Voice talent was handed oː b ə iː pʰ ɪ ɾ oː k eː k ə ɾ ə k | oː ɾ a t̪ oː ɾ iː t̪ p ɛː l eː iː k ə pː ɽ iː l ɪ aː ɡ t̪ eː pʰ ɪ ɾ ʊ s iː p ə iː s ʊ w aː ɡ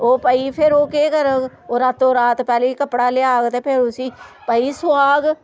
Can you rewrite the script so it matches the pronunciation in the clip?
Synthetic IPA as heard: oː p ə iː pʰ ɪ ɾ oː k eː k ə ɾ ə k | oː ɾ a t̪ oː ɾ aː t̪ p ɛː l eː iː k ə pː ɽ aː l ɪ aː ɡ t̪ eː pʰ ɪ ɾ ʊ s iː p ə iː s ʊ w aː ɡ